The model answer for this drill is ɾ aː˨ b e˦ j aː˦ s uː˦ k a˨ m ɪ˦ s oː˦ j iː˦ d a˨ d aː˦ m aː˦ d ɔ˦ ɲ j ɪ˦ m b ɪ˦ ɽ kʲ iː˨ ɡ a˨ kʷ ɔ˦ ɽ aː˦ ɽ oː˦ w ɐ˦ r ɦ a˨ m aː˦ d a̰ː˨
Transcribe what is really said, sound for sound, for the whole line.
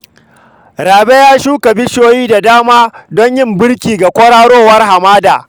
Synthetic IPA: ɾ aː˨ b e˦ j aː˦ ʃ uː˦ k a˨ b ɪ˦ ʃ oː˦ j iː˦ d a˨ d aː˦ m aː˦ d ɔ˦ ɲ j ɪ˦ m b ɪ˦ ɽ kʲ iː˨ ɡ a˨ kʷ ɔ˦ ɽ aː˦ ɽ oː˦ w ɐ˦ r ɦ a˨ m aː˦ d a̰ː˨

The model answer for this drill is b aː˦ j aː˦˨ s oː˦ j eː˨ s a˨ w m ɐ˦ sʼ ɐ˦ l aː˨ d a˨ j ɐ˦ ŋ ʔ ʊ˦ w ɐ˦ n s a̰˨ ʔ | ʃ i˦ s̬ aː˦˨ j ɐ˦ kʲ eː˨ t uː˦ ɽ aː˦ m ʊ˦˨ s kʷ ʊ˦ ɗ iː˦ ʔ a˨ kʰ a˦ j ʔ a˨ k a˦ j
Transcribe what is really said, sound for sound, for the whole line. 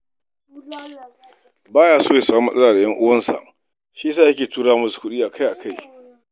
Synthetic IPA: b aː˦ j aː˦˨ s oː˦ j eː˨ s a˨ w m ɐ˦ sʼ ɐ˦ l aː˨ d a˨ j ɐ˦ ŋ ʔ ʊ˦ w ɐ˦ n s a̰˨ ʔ | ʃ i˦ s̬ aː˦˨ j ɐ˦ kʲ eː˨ t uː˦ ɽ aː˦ m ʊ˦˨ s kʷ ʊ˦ ɗ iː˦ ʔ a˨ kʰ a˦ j ʔ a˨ k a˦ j

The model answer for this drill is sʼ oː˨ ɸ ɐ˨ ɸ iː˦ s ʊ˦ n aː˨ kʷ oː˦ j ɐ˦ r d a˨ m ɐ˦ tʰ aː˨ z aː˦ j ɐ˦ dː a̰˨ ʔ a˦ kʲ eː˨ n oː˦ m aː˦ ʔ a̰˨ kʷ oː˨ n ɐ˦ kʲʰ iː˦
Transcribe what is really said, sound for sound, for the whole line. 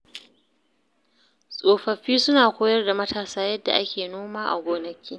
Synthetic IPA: sʼ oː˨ ɸ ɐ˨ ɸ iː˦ s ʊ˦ n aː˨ kʷ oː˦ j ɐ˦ r d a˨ m ɐ˦ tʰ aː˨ s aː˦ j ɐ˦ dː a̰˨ ʔ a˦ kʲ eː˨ n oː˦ m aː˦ ʔ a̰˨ ɡʷ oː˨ n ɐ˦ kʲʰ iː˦

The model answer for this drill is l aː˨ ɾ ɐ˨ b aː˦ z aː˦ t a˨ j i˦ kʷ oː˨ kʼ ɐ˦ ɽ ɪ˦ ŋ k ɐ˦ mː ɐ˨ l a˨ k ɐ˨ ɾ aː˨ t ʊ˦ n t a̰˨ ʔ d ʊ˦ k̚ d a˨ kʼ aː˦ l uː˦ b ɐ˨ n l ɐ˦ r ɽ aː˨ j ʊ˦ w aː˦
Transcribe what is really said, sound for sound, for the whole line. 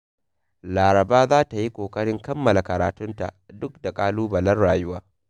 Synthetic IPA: l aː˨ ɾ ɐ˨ b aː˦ z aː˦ t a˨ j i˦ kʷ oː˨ kʼ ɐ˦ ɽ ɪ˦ ŋ k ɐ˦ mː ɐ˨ l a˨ k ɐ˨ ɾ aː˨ t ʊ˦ n t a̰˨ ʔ d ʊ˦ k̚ d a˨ kʼ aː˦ l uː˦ b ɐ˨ l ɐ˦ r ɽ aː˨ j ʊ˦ w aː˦

